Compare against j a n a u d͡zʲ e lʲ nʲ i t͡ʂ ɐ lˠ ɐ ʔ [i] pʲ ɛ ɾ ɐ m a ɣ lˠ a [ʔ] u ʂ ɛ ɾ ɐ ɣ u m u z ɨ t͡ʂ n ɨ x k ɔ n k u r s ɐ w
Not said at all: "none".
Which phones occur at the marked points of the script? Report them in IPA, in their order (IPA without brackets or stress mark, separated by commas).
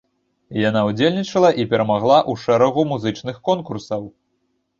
i, ʔ